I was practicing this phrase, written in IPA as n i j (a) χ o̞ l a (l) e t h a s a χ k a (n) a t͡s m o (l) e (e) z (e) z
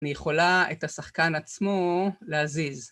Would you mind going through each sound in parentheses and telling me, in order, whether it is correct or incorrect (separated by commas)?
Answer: incorrect, incorrect, correct, correct, incorrect, incorrect